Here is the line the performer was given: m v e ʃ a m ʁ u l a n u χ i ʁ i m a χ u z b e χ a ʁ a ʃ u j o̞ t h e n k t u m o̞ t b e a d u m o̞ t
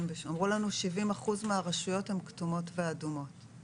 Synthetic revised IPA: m v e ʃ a m ʁ u l a n u ʃ i v i m a χ u z m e a ʁ a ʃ u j o̞ t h e m k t u m o̞ t v e a d u m o̞ t

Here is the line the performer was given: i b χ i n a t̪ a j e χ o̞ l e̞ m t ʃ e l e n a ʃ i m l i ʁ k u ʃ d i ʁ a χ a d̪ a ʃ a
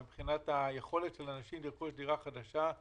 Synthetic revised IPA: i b χ i n a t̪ a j e χ o̞ l e̞ t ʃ e l a n a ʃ i m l i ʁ k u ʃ d i ʁ a χ a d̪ a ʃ a

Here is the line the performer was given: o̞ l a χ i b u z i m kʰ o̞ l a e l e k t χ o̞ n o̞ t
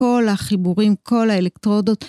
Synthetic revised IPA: o̞ l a χ i b u ʁ i m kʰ o̞ l a e l e k t ʁ o̞ d o̞ t

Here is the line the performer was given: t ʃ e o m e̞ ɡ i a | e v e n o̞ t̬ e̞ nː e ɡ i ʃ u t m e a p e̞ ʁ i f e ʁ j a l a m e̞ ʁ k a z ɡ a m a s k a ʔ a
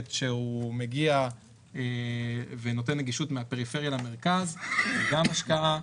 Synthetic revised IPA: t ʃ e u m e̞ ɡ i a | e v e n o̞ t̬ e̞ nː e ɡ i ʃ u t m e a p e̞ ʁ i f e ʁ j a l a m e̞ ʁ k a z ɡ a m a ʃ k a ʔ a

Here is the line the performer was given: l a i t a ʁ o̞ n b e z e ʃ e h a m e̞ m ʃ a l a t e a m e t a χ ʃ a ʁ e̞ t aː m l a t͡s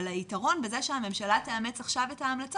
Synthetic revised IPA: l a i t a ʁ o̞ n b e z e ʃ e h a m e̞ m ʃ a l a t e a m e t͡s a χ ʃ a v e̞ t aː m l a t͡s

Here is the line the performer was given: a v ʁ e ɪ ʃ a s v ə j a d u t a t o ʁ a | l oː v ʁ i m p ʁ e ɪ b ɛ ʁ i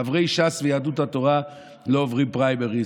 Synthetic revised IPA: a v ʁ e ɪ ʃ a s v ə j a d u t a t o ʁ a | l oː v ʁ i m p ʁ a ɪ b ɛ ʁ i

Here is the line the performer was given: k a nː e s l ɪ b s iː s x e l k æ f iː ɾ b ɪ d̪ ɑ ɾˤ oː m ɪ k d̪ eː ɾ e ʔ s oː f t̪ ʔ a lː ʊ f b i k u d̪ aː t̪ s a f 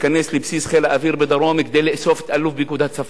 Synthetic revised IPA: k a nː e s l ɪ b s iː s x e l ʔ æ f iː ɾ b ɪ d̪ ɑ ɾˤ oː m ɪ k d̪ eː l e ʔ s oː f t̪ ʔ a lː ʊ f b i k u d̪ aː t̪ s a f

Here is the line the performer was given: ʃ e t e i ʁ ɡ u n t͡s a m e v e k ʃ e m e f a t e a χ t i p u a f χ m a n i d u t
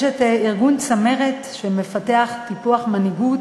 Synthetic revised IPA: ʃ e t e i ʁ ɡ u n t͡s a m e ʁ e t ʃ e m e f a t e a χ t i p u a χ m a n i ɡ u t

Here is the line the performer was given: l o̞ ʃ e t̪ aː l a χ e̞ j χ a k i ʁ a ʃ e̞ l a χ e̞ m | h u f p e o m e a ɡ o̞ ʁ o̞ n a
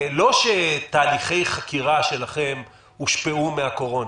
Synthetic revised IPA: l o̞ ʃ e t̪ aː l i χ e̞ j χ a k i ʁ a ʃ e̞ l a χ e̞ m | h u ʃ p e u m e a k o̞ ʁ o̞ n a

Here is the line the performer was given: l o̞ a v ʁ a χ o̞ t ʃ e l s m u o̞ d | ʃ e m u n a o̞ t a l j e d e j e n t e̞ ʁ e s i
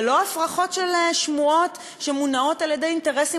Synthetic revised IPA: l o̞ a f ʁ a χ o̞ t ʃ e l ʃ m u o̞ t | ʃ e m u n a o̞ t a l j e d e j i n t e̞ ʁ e s i

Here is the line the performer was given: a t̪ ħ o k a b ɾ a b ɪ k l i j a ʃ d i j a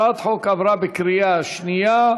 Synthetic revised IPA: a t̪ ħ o k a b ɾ a b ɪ k ɾ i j a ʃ n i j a

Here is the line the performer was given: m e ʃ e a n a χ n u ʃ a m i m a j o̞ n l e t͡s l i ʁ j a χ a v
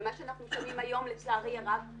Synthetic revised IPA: m a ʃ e a n a χ n u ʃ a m i m a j o̞ m l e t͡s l a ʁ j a ʁ a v

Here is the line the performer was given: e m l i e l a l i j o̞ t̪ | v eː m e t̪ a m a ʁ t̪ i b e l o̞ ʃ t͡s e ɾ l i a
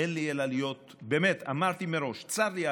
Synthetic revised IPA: e n l i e l a l i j o̞ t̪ | b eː m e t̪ a m a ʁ t̪ i m e ɾ o̞ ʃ t͡s a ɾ l i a

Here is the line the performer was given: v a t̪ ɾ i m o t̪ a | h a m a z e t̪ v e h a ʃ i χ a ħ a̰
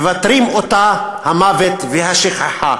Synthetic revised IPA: v a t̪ ɾ i m o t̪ a | h a m a v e t̪ v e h a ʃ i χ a ħ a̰

